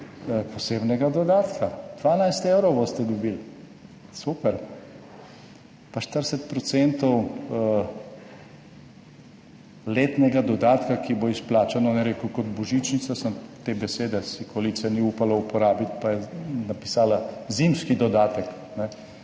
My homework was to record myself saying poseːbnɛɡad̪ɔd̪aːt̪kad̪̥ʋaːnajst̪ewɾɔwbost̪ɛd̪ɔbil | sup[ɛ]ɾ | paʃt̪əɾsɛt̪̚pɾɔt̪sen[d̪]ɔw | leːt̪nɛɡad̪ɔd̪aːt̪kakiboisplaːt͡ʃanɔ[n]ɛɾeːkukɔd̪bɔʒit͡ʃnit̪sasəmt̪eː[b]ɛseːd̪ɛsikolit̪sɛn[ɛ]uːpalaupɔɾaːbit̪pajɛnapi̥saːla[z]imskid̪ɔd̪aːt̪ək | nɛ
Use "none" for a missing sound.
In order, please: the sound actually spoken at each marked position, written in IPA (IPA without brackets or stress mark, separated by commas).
ɛ, t̪, n, b, i, z